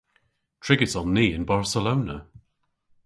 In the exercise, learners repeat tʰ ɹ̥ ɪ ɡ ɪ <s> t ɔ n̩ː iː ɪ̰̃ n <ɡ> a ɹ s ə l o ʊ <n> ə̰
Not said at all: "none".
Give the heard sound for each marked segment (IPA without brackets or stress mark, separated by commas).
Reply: none, b, n